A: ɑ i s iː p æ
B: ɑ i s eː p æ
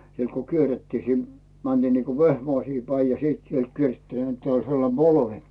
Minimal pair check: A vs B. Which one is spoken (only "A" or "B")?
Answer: A